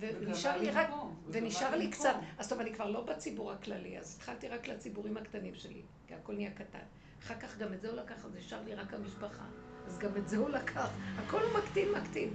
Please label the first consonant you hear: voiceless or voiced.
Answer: voiced